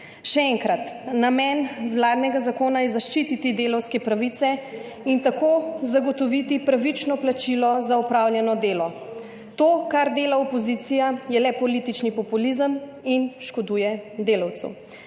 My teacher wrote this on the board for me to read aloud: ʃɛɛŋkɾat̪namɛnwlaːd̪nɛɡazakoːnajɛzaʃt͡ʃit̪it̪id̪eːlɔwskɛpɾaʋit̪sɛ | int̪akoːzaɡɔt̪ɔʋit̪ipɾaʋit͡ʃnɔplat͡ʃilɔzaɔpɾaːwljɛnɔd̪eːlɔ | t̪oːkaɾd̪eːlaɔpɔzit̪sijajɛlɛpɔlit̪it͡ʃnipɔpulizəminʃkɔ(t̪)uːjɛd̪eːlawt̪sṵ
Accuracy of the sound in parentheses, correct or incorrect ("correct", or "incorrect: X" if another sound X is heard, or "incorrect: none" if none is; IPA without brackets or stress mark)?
incorrect: d̪